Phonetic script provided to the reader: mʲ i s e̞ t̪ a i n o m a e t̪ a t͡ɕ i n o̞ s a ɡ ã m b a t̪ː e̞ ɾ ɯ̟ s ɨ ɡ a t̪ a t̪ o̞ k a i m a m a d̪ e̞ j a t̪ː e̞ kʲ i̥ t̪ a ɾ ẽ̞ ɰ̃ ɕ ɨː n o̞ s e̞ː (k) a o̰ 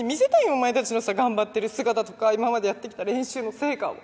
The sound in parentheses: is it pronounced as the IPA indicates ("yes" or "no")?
yes